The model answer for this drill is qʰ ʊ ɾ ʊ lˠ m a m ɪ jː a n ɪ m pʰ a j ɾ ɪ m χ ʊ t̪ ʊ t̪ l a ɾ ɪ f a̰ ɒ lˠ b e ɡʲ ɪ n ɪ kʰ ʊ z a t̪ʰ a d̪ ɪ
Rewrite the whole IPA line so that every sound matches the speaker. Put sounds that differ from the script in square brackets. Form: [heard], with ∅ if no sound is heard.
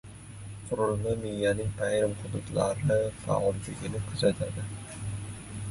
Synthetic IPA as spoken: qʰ ʊ ɾ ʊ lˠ m a m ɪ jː a n ɪ [ŋ] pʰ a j ɾ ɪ m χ ʊ [d̪] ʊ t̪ l a ɾ ɪ f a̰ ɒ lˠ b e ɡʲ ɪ n ɪ kʰ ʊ z a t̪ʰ a d̪ ɪ